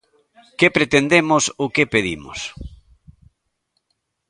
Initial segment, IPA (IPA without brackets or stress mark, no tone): k